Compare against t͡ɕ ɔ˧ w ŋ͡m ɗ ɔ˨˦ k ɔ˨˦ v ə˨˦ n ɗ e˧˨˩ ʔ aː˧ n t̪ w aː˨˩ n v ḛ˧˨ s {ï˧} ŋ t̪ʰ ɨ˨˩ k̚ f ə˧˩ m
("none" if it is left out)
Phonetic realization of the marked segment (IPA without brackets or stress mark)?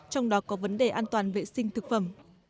ï˧